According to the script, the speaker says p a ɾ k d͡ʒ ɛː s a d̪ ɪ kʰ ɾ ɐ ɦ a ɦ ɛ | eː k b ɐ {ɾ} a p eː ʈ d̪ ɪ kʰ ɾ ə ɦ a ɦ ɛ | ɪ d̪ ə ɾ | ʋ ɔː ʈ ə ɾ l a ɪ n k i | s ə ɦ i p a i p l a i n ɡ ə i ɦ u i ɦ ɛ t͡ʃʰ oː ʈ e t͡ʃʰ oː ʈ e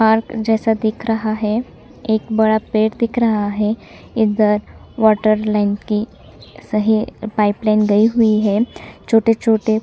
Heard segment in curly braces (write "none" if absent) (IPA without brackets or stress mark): ɽ